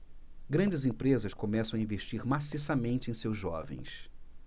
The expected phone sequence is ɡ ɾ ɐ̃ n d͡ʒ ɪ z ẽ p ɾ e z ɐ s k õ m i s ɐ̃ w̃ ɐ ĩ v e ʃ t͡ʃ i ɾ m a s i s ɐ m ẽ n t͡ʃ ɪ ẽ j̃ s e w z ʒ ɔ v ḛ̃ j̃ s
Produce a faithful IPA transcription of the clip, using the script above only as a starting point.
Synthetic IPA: ɡ ɾ ɐ̃ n d͡ʒ ɪ z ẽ p ɾ e z ɐ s k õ m ɛ s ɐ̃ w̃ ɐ ĩ v e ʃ t͡ʃ i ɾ m a s i s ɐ m ẽ n t͡ʃ ɪ ẽ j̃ s e w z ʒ ɔ v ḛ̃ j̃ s